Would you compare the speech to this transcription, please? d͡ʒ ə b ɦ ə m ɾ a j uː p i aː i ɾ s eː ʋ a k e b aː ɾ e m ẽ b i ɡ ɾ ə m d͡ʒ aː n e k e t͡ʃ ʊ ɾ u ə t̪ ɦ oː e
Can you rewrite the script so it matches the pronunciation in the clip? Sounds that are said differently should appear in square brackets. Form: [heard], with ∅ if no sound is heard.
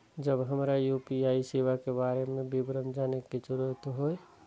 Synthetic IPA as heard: d͡ʒ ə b ɦ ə m ɾ a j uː p i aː i [∅] s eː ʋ a k e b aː ɾ e m ẽ b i [b] ɾ ə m d͡ʒ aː n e k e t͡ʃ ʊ ɾ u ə t̪ ɦ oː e